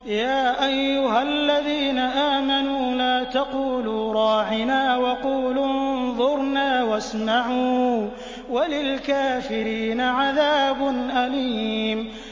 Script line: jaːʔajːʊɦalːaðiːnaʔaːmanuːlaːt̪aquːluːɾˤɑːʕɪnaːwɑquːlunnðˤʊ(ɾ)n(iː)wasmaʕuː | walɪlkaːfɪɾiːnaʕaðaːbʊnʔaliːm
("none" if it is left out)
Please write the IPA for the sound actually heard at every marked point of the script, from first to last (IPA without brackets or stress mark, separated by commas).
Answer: ɾ, aː